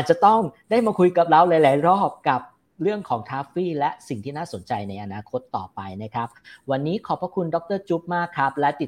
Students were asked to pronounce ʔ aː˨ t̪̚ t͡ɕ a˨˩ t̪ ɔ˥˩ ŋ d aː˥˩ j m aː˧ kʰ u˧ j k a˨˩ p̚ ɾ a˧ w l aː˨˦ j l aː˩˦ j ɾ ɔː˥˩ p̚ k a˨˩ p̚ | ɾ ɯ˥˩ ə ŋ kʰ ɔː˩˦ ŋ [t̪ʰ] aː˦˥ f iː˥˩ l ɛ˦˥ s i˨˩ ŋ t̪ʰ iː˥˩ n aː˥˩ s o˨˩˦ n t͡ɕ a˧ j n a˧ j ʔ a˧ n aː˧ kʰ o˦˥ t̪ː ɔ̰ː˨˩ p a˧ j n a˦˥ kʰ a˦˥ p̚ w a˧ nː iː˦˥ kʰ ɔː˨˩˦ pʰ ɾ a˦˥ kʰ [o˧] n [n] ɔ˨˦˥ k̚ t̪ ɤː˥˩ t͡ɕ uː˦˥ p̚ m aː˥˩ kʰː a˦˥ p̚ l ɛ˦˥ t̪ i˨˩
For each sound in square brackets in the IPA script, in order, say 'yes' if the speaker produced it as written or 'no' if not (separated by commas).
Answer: yes, no, no